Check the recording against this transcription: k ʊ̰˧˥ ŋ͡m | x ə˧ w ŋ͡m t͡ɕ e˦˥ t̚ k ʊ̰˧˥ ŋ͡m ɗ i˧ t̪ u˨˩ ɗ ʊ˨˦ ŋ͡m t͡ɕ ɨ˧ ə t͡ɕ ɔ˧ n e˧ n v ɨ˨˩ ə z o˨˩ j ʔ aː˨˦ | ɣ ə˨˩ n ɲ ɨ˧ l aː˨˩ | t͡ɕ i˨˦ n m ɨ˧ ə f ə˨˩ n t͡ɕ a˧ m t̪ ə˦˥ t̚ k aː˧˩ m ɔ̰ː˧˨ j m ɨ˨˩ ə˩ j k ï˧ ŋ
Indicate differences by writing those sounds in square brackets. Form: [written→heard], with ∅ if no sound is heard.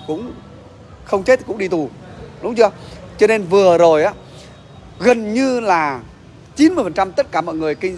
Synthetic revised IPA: k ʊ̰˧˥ ŋ͡m | x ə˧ w ŋ͡m t͡ɕ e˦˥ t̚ k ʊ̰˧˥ ŋ͡m ɗ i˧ t̪ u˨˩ ɗ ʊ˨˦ ŋ͡m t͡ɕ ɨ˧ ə t͡ɕ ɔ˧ n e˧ n v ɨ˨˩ ə z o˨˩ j ʔ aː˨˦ | ɣ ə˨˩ n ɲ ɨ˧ l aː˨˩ | t͡ɕ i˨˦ n m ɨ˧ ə f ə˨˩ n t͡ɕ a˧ m t̪ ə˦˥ t̚ k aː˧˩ m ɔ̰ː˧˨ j [m→ŋ] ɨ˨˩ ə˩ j k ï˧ ŋ